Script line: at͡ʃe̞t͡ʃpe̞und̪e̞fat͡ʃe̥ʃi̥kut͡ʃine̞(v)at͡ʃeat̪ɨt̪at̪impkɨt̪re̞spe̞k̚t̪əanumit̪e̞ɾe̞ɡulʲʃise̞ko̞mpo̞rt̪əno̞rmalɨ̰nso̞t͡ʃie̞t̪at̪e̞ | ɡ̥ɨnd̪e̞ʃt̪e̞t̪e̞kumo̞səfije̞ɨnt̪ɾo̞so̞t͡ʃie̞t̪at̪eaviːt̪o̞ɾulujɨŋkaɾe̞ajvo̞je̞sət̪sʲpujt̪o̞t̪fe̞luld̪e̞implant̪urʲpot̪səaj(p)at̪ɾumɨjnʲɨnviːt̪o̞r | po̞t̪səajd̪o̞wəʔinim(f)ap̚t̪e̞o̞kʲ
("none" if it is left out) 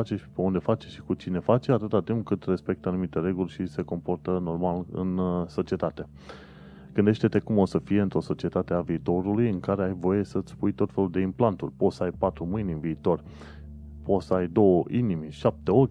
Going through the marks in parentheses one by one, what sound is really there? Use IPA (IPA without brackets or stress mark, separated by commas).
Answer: f, p, ʃ